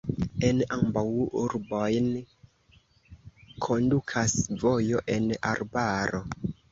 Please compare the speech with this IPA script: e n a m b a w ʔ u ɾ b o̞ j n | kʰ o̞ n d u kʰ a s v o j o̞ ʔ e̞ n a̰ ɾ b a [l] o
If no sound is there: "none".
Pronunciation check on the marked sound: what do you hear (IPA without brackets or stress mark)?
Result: ɾ